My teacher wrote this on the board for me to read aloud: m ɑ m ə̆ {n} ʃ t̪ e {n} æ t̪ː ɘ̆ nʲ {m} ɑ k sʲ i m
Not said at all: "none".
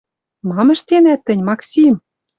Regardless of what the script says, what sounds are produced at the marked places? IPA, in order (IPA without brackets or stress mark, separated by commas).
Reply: none, n, m